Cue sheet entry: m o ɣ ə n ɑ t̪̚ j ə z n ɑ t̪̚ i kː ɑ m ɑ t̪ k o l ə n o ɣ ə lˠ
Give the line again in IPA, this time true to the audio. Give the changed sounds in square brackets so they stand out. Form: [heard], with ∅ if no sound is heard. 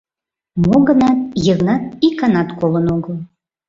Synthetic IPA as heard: m o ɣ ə n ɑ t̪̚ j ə [ɣ] n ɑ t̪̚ i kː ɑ [n] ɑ t̪ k o l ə n o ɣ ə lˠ